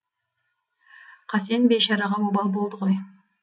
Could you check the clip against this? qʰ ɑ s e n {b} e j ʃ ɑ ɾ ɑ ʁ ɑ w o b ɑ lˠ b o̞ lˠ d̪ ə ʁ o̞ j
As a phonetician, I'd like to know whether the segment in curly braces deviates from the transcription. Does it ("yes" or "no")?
no